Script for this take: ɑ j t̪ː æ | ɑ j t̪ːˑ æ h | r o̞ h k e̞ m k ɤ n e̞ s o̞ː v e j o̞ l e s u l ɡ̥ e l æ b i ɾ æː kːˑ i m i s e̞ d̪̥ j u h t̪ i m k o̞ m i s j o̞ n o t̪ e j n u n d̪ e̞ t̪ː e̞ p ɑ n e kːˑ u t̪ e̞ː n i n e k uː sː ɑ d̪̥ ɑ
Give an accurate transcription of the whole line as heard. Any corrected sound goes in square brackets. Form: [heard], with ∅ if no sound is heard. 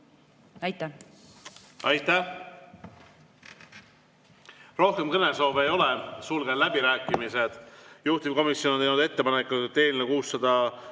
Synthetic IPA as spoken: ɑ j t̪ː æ | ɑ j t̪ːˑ æ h | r o̞ h k e̞ m k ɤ n e̞ s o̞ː v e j o̞ l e s u l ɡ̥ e l æ b i ɾ æː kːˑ i m i s e̞ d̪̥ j u h t̪ i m k o̞ m i s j o̞ n o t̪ e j n u [∅] d̪ e̞ t̪ː e̞ p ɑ n e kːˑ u t̪ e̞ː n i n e k uː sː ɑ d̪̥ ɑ